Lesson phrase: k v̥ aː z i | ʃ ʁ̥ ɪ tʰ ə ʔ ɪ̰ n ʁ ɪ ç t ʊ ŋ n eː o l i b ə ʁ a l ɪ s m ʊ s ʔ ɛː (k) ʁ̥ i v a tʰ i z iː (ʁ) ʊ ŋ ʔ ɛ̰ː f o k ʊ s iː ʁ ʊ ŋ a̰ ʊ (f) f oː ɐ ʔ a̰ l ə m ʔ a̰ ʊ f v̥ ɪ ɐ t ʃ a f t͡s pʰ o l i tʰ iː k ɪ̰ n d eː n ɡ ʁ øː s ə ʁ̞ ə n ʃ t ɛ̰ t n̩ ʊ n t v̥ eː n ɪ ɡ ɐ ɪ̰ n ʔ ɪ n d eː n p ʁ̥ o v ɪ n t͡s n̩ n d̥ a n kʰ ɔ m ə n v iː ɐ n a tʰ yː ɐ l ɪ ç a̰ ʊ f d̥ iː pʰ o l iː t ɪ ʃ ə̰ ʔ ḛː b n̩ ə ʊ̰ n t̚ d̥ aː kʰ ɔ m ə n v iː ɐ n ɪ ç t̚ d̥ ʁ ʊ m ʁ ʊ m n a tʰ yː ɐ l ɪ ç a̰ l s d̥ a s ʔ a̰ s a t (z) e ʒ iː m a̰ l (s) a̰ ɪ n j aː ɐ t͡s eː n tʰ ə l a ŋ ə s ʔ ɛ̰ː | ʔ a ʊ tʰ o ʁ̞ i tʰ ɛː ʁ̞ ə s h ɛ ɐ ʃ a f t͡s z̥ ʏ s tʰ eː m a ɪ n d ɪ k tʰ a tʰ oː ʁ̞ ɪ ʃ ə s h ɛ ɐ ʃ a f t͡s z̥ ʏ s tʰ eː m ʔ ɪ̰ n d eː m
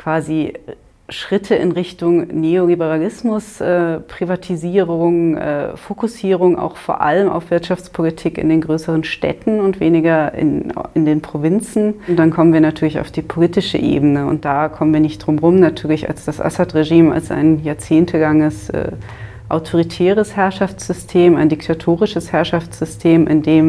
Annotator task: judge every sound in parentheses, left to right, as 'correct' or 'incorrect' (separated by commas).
incorrect, correct, incorrect, incorrect, correct